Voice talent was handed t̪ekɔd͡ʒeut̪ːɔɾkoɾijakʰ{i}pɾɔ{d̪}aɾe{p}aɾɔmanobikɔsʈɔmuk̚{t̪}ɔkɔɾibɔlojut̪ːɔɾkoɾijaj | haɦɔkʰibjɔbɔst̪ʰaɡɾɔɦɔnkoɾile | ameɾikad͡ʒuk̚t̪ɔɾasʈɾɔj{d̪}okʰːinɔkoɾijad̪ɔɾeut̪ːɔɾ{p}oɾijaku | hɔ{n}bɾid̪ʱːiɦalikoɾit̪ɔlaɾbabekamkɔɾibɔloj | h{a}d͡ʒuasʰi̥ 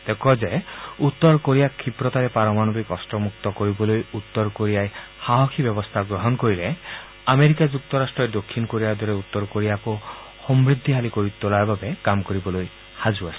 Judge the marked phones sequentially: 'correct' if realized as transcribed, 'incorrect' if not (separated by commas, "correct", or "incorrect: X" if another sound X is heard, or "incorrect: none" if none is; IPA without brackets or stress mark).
correct, incorrect: t̪, correct, correct, correct, incorrect: k, incorrect: m, correct